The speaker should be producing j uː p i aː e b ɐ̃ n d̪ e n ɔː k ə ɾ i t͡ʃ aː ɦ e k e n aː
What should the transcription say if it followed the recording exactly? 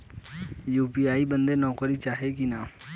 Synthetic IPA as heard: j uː p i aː i b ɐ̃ n d̪ e n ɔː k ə ɾ i t͡ʃ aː ɦ e k i n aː